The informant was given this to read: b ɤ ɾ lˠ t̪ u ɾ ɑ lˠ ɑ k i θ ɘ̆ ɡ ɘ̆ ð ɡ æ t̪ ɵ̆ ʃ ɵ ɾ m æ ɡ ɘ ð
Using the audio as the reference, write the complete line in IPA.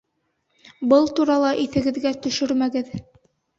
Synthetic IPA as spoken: b ɤ lˠ t̪ u ɾ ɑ lˠ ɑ ʔ i θ ɘ̆ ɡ ɘ̆ ð ɡ æ t̪ ɵ̆ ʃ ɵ ɾ m æ ɡ ɘ ð